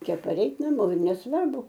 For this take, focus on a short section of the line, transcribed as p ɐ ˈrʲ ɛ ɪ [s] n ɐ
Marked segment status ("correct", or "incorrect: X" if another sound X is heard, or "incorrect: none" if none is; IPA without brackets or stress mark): incorrect: t